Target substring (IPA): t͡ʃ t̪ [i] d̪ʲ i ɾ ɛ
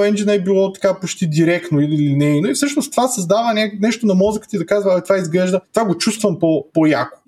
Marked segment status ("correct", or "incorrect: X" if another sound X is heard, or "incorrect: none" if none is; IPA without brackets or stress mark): correct